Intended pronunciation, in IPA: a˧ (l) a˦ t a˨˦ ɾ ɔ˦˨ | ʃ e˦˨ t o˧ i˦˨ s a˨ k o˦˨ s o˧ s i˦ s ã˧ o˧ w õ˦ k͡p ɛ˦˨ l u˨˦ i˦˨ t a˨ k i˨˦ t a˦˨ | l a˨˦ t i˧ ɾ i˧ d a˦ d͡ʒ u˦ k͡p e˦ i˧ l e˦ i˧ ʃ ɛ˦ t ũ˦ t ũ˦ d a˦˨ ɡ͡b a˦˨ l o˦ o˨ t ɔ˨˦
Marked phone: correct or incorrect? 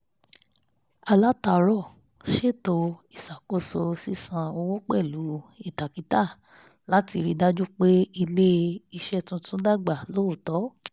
correct